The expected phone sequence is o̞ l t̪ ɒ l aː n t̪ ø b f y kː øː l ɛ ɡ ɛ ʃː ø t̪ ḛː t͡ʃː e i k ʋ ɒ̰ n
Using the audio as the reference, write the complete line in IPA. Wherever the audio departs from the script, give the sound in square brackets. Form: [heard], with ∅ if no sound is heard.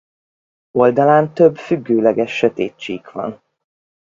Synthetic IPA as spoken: o̞ l [d̪] ɒ l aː n t̪ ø b f y [ɡː] øː l ɛ ɡ ɛ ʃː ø t̪ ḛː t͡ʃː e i k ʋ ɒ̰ n